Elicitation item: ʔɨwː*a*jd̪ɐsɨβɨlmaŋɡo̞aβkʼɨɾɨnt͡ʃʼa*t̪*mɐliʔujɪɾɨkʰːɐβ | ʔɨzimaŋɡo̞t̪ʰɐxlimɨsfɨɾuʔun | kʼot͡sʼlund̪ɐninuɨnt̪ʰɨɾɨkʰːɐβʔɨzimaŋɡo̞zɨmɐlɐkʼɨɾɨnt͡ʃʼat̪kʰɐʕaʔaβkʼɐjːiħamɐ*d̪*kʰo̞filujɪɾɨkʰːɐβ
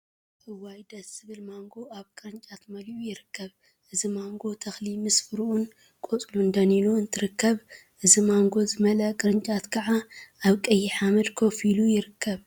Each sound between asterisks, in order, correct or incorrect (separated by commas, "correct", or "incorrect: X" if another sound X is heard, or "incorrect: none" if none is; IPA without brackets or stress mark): correct, correct, correct